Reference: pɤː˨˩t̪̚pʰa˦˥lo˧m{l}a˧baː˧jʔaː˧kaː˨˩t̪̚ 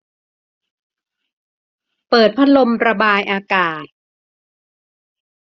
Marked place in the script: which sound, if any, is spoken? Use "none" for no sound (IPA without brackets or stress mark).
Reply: ɾ